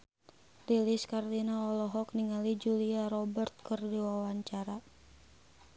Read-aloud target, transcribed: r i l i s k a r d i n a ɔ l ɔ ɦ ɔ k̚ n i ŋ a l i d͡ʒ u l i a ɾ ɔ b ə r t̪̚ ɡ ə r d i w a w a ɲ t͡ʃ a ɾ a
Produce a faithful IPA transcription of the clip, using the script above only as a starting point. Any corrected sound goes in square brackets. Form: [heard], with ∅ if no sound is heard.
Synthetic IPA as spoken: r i l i s k a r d i n a ɔ l ɔ ɦ ɔ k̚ n i ŋ a l i d͡ʒ u l i a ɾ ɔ b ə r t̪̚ [k] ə r d i w a w a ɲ t͡ʃ a ɾ a